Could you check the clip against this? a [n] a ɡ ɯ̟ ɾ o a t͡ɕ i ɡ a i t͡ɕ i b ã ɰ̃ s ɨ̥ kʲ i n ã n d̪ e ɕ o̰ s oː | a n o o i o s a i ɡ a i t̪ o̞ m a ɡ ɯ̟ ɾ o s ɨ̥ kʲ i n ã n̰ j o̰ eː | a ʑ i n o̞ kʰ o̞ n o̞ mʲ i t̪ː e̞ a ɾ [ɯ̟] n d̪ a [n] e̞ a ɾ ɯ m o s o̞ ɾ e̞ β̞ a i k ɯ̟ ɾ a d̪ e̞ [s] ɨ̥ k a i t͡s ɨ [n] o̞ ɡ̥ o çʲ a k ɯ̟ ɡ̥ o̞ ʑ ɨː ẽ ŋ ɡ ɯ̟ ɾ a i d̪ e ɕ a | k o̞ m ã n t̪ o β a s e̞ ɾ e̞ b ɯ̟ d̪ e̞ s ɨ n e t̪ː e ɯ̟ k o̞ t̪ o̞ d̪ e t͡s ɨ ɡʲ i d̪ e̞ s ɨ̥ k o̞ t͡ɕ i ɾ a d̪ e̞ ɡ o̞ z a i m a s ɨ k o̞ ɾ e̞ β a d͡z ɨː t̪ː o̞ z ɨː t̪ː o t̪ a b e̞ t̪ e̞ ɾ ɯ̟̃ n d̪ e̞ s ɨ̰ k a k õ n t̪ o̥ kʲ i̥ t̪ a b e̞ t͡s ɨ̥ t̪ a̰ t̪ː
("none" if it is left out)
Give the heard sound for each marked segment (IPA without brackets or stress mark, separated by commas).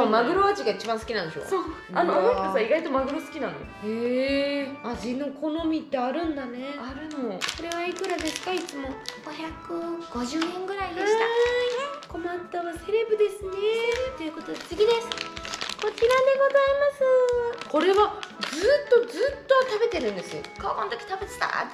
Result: m, ɯ̟̃, n, s, m